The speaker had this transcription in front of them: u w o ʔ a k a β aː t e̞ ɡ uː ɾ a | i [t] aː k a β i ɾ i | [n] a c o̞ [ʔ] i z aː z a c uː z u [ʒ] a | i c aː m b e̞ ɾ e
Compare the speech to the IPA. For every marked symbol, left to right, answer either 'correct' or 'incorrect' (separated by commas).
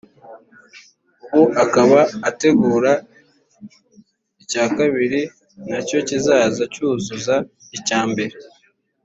incorrect, correct, incorrect, incorrect